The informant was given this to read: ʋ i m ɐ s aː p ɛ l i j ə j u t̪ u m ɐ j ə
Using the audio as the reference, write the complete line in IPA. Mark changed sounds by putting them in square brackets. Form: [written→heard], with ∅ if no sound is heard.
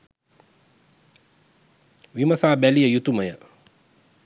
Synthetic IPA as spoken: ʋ i m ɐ s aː [p→b] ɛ l i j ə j u t̪ u m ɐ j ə